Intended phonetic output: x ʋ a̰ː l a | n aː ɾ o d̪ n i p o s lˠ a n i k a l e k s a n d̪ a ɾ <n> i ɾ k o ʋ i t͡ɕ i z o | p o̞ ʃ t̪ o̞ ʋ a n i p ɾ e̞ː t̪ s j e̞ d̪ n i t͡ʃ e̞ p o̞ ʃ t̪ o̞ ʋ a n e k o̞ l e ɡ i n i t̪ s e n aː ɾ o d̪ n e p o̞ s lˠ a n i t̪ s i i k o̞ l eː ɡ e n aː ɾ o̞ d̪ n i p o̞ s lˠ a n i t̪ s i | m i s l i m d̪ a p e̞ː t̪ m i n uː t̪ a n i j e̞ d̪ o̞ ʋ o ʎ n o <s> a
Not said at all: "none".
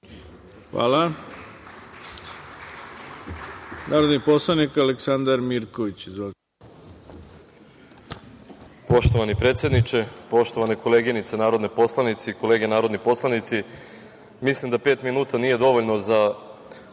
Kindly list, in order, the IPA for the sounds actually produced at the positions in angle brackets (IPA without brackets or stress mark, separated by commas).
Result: m, z